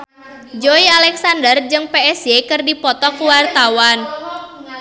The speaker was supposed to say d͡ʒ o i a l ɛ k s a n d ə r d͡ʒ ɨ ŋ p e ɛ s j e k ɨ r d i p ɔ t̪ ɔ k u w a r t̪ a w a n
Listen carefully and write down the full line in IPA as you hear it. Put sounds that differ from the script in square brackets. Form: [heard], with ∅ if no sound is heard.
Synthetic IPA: d͡ʒ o i a l ɛ k s a n d ə r d͡ʒ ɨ ŋ p e ɛ s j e k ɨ r d i p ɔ t̪ ɔ k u w a r t̪ a w a n